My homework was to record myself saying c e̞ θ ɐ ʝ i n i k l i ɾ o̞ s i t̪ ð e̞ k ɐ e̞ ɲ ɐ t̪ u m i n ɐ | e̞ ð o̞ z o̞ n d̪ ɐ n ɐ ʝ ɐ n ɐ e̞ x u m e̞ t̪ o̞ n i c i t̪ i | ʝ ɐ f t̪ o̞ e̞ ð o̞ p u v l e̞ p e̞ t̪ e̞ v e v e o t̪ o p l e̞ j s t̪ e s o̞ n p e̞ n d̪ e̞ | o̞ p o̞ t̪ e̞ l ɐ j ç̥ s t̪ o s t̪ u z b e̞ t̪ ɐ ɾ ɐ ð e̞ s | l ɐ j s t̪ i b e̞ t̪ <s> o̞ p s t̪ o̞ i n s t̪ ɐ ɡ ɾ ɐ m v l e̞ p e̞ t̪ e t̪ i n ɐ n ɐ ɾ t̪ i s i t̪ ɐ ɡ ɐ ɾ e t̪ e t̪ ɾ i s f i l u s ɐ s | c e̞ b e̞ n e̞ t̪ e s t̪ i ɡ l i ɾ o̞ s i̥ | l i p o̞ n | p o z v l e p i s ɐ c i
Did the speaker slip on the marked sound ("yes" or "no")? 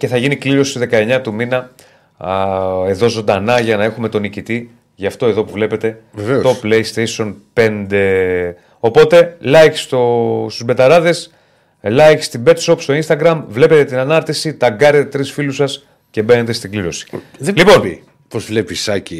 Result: no